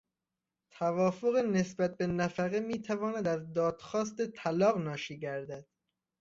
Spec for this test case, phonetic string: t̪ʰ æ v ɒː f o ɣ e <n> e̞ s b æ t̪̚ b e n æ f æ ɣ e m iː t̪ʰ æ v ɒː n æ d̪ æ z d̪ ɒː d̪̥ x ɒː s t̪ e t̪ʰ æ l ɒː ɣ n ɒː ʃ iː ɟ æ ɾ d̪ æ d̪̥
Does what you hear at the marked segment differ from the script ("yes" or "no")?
no